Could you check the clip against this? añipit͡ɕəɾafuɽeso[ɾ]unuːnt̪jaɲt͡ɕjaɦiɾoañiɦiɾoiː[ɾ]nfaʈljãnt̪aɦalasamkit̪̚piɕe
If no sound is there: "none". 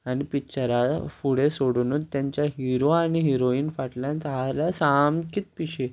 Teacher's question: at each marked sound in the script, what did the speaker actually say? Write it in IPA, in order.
ɽ, none

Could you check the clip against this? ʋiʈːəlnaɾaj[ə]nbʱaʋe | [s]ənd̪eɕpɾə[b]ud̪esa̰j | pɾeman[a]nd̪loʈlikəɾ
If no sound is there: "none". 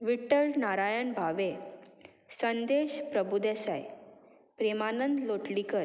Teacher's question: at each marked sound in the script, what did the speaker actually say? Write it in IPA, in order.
ə, s, b, ə

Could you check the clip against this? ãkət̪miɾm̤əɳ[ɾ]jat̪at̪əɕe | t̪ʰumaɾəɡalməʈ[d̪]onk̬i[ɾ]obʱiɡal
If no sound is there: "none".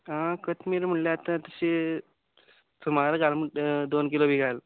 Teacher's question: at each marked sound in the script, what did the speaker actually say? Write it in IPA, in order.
l, d̪, l

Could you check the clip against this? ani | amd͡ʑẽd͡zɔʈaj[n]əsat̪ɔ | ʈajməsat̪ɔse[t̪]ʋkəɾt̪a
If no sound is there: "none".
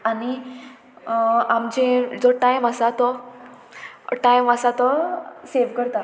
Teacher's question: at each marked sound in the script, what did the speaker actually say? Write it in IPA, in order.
m, none

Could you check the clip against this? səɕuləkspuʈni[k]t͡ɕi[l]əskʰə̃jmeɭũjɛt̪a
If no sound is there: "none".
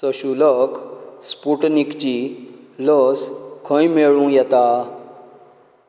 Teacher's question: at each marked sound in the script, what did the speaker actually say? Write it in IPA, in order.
k, l

